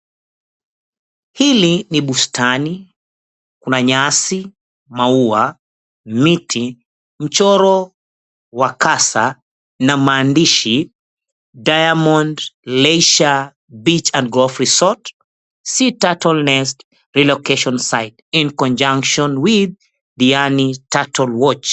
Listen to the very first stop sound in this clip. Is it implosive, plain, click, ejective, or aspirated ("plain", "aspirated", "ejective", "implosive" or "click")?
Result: implosive